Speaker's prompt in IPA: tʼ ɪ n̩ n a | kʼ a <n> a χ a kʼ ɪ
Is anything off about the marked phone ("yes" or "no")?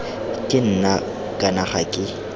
no